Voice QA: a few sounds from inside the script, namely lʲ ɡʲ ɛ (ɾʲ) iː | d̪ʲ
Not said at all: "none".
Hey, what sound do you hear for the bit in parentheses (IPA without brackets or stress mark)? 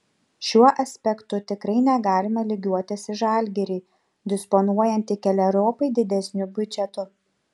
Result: ɾʲ